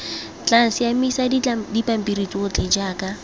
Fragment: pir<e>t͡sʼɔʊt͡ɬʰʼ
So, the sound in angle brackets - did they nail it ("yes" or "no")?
no